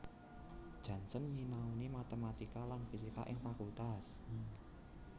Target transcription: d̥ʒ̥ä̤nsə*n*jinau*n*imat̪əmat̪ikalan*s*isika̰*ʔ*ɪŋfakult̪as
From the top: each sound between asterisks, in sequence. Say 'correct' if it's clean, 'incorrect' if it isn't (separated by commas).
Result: correct, correct, incorrect, correct